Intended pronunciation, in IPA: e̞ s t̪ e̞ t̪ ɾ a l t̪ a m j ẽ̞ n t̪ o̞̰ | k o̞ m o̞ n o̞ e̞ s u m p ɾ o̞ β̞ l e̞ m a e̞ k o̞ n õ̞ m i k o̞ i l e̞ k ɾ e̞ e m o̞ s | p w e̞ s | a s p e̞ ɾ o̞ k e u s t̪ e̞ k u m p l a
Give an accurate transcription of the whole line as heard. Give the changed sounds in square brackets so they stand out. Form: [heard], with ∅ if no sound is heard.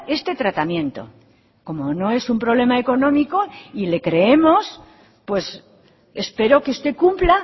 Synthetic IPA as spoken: e̞ s t̪ e̞ t̪ ɾ a [∅] t̪ a m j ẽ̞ n t̪ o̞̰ | k o̞ m o̞ n o̞ e̞ s u m p ɾ o̞ β̞ l e̞ m a e̞ k o̞ n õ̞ m i k o̞ i l e̞ k ɾ e̞ e m o̞ s | p w e̞ s | [e] s p e̞ ɾ o̞ k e u s t̪ e̞ k u m p l a